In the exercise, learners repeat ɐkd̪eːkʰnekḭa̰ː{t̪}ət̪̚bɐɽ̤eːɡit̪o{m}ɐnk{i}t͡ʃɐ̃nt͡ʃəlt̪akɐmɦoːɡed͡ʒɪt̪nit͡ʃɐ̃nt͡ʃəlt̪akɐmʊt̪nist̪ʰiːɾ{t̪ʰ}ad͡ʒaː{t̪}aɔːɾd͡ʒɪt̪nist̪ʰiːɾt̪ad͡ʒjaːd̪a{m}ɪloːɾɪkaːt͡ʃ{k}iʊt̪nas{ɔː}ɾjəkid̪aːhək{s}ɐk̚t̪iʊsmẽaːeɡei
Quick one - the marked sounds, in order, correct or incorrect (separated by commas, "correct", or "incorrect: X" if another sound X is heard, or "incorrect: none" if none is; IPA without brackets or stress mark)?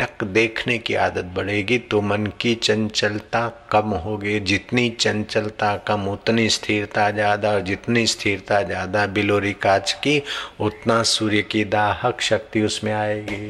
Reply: incorrect: d̪, correct, correct, incorrect: t̪, incorrect: d̪, incorrect: b, correct, incorrect: uː, incorrect: ʃ